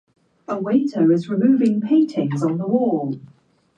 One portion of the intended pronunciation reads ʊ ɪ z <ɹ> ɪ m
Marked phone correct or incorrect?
correct